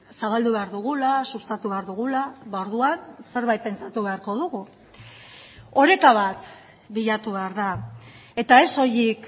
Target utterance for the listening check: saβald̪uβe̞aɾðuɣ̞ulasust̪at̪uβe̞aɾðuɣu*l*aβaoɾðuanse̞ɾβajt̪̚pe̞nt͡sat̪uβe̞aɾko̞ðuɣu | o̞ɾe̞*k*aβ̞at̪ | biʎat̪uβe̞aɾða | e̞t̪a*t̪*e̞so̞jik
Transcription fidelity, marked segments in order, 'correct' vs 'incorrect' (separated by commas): correct, correct, incorrect